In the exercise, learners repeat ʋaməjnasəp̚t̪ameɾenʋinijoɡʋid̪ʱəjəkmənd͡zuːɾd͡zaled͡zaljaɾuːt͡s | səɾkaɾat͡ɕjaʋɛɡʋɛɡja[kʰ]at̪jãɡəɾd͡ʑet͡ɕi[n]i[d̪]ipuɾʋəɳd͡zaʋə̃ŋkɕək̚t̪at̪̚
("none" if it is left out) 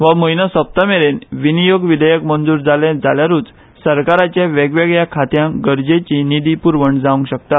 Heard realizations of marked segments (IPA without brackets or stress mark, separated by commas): kʰ, n, d̪